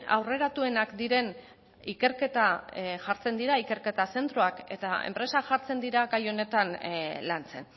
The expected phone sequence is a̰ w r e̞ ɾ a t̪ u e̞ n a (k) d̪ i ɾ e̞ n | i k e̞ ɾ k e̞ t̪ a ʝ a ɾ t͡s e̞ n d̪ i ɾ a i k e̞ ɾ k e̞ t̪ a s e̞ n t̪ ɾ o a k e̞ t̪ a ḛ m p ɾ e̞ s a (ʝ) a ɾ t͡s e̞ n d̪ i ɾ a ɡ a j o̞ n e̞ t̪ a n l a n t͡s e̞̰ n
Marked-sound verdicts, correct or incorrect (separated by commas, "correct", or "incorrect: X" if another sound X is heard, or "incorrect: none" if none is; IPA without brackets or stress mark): correct, correct